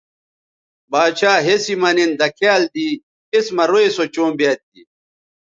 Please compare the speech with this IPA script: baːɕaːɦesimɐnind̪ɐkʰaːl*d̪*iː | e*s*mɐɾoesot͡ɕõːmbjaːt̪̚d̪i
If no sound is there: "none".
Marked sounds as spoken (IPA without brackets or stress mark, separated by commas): d̪, s